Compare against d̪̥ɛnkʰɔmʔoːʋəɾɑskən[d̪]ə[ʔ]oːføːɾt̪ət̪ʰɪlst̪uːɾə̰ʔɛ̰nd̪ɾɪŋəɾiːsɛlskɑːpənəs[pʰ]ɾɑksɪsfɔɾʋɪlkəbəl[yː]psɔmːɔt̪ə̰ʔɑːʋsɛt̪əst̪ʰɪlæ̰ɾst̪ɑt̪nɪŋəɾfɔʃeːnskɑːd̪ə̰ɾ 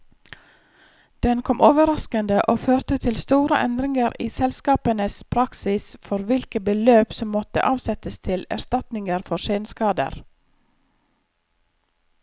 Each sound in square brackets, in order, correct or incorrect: correct, correct, correct, incorrect: øː

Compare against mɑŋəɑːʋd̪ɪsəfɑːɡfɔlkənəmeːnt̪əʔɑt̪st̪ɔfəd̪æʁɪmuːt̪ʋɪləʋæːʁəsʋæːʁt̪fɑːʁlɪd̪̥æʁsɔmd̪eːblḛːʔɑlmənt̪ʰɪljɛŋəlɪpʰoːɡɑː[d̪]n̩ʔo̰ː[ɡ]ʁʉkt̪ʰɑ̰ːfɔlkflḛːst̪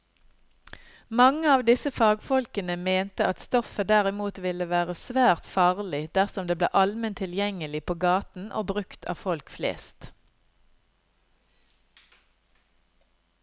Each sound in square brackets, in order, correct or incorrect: incorrect: t̪, incorrect: b

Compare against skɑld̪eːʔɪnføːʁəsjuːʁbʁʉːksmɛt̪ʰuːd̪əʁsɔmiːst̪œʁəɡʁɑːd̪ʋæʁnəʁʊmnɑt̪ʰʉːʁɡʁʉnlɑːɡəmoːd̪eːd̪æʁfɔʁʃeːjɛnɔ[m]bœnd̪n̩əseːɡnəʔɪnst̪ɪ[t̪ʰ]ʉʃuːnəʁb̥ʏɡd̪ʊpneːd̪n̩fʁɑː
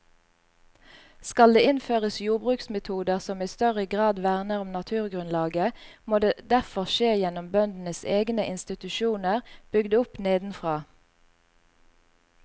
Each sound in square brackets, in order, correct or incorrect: correct, incorrect: t̪

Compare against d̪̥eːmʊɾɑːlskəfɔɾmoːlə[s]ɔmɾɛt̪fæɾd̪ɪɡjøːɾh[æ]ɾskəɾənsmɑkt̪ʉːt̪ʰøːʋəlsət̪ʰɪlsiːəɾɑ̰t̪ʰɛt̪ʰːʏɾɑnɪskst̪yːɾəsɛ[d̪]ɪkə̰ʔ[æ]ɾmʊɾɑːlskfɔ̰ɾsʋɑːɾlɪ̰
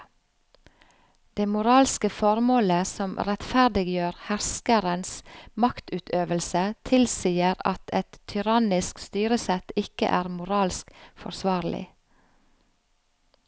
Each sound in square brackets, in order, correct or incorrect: correct, correct, incorrect: t̪, incorrect: æː

